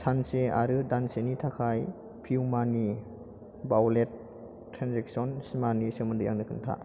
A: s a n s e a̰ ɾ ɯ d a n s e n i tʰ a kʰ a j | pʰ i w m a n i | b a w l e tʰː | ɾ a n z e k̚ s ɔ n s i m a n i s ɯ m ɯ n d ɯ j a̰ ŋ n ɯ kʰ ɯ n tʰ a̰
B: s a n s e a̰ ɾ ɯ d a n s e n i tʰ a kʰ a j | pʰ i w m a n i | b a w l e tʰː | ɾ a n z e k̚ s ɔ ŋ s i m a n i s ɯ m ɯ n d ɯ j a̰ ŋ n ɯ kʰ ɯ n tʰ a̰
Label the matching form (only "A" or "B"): A